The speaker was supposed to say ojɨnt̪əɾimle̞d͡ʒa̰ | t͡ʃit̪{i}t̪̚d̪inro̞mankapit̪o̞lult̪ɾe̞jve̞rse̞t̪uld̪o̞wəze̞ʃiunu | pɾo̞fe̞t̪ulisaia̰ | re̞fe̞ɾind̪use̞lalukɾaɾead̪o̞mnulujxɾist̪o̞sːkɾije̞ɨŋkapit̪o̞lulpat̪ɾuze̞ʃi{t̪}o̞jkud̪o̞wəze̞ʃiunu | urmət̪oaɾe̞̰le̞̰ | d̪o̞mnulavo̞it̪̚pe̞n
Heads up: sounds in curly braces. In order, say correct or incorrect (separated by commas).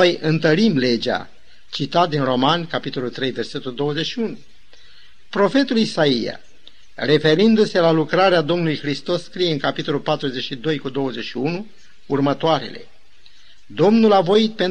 incorrect, incorrect